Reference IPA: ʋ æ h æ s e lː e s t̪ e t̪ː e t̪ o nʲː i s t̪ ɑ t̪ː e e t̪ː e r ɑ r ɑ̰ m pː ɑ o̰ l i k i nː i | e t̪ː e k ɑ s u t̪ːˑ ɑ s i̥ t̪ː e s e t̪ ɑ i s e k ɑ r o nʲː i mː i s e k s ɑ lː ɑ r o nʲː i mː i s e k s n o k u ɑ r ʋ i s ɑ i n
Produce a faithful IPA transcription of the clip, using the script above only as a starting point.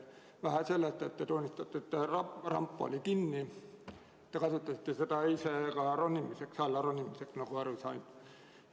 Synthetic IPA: ʋ æ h æ s e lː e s t̪ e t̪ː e t̪ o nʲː i s t̪ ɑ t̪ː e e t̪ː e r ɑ r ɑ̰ m pː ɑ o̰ l i k i nː i | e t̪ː e k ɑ s u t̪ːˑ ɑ s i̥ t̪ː e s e t̪ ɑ i s e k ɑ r o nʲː i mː i s e k s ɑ lː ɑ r o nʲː i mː i s e k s n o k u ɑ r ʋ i s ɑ i n